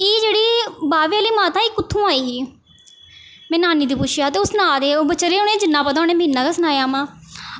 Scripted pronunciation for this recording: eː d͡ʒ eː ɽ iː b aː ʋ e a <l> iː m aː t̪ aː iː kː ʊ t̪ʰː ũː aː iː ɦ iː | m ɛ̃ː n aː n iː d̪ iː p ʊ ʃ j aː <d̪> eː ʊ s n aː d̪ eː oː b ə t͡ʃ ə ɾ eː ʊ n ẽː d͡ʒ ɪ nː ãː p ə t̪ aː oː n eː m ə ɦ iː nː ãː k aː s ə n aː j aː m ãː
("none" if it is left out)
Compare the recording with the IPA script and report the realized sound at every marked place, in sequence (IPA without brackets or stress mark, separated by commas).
l, t̪